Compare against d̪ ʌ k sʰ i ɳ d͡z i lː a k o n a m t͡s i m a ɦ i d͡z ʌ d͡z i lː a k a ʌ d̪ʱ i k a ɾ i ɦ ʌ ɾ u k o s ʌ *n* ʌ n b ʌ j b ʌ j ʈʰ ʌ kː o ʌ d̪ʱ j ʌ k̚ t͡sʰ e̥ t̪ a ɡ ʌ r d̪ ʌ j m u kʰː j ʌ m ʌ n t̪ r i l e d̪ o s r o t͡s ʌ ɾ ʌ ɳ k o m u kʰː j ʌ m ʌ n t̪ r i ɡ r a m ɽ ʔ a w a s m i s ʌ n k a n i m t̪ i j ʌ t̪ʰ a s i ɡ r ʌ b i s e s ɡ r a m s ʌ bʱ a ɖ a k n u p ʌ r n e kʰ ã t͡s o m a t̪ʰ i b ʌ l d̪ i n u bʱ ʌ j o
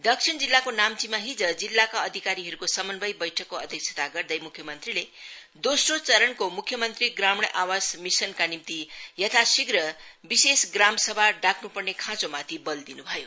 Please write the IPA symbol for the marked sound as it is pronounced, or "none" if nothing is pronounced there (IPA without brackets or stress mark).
m